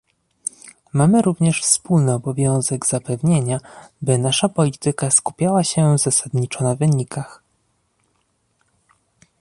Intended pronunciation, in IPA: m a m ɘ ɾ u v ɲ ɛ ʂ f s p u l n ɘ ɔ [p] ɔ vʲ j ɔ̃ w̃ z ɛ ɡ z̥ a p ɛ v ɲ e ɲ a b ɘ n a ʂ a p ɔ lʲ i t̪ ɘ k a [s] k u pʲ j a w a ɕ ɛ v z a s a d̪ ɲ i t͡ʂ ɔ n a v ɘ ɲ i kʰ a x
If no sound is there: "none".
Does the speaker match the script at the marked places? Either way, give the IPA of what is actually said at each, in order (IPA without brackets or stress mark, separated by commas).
b, s